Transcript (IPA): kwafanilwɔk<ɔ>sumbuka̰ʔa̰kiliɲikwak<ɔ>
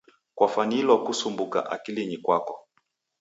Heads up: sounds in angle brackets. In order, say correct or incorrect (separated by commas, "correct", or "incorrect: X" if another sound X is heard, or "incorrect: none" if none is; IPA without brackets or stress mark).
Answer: incorrect: u, correct